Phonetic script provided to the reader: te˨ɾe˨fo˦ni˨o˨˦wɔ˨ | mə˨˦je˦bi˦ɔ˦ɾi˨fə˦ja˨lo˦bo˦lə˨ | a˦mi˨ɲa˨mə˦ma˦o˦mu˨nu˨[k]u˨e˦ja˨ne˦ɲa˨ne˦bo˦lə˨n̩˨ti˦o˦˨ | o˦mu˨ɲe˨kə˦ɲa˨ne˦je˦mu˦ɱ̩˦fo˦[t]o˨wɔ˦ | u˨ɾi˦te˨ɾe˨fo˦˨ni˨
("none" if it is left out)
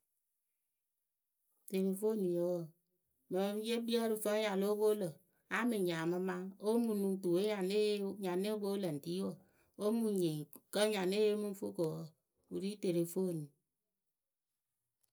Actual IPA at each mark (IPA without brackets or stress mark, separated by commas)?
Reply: t, k